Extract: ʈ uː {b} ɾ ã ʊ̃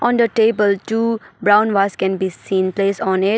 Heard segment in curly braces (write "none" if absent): b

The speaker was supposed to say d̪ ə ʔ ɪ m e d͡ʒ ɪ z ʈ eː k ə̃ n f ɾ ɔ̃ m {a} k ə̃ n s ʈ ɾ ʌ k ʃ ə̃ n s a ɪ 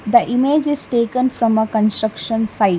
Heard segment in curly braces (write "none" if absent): ə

